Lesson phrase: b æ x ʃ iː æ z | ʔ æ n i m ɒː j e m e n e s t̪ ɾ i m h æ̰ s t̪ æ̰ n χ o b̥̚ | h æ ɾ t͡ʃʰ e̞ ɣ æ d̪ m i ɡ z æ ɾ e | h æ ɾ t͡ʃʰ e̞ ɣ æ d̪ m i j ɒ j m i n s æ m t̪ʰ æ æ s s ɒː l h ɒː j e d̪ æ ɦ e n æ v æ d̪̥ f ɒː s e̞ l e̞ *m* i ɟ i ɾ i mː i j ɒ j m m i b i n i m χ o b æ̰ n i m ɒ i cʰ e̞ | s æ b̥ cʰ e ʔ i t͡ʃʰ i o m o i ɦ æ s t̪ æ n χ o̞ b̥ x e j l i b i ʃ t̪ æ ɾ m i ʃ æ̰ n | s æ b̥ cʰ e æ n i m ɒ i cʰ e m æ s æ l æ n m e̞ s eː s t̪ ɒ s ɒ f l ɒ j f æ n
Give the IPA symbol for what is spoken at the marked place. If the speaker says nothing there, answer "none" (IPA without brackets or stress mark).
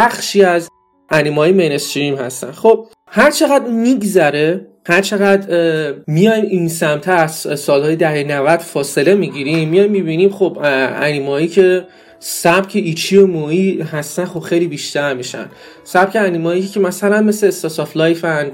m